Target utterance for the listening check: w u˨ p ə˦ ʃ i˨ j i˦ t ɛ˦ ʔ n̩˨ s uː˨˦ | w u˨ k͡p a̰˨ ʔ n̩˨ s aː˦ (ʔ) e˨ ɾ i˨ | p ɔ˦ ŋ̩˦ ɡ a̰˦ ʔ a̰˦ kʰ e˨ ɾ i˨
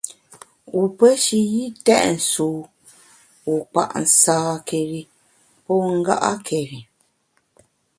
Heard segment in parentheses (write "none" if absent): k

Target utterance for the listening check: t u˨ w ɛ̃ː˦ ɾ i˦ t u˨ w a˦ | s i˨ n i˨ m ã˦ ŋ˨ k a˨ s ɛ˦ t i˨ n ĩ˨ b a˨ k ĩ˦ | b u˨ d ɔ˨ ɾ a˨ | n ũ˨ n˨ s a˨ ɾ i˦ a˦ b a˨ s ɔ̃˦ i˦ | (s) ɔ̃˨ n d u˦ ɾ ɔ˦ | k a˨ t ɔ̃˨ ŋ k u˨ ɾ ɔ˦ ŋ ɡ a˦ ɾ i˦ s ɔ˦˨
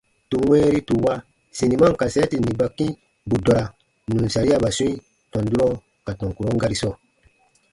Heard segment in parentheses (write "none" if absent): t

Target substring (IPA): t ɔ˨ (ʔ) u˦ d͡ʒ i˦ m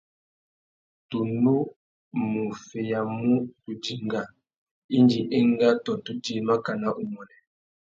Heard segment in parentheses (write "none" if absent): t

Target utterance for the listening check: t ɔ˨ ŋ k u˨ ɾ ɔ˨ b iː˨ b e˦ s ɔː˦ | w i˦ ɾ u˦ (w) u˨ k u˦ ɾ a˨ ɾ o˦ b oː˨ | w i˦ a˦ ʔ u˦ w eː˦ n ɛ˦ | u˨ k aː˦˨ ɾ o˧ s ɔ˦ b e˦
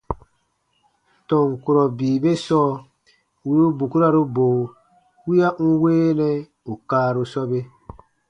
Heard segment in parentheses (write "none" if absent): b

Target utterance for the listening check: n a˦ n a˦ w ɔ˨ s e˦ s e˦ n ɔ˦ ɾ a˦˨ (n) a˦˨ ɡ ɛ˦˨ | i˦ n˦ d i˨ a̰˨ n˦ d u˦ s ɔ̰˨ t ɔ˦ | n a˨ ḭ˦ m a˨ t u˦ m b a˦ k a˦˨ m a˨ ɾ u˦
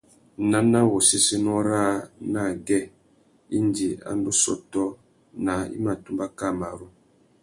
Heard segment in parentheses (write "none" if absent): n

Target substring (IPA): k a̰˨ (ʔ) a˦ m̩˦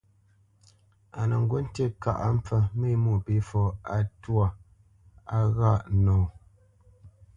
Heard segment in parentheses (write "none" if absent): ʔ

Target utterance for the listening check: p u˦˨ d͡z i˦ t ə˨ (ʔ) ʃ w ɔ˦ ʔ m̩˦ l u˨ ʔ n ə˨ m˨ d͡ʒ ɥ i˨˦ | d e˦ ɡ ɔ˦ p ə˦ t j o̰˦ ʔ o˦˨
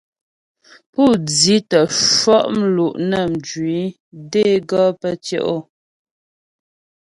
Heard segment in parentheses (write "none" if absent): none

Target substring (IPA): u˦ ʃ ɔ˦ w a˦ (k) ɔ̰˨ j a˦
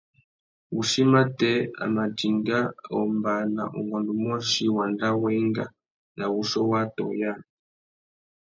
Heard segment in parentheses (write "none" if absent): t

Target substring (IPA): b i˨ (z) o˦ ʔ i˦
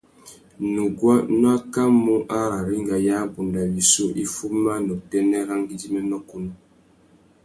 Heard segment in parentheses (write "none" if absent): s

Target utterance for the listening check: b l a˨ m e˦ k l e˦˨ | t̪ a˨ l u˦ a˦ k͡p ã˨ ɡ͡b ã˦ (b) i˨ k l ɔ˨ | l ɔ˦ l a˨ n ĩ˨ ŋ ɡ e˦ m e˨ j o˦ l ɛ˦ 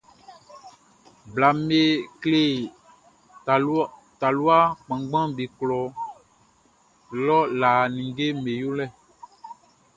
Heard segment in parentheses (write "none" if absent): b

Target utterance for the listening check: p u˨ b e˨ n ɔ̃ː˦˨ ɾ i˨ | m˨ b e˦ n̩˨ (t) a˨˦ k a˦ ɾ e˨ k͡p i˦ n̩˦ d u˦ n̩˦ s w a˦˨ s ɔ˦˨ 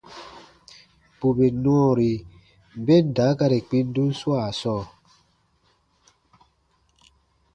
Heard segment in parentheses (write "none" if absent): d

